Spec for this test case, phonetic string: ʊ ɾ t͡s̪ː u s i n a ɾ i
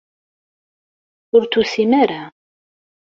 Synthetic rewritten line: ʊ ɾ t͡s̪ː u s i m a ɾ a